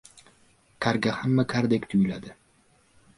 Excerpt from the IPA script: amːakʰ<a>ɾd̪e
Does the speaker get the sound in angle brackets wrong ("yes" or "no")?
no